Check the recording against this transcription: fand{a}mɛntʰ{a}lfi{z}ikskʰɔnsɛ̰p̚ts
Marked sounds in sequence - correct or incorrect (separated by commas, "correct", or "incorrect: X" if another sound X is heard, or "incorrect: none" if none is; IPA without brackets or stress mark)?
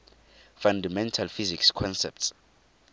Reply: correct, correct, correct